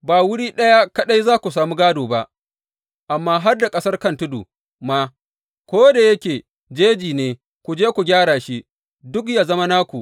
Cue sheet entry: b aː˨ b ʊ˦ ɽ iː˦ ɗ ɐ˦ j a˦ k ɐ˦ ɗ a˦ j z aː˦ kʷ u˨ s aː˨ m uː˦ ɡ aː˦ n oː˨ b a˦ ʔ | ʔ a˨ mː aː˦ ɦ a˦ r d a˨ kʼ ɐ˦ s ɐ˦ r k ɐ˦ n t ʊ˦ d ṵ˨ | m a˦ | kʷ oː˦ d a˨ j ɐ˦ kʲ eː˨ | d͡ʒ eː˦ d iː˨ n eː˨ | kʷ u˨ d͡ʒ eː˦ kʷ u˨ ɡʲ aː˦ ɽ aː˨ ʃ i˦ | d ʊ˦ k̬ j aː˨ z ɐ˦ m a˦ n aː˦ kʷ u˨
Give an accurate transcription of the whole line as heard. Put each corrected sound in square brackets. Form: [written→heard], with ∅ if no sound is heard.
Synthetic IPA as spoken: b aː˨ [b→w] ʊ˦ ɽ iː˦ ɗ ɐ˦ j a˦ k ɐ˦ ɗ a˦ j z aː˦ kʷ u˨ s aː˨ m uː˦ ɡ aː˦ [n→d] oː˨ b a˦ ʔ | ʔ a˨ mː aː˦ ɦ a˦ r d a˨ kʼ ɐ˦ s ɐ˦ r k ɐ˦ n t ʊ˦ d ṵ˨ | m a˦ | kʷ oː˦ d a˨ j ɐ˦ kʲ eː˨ | d͡ʒ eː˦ [d→d͡ʒ] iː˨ n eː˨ | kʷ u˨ d͡ʒ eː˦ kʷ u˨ ɡʲ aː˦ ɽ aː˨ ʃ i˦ | d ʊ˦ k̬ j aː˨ z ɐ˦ m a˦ n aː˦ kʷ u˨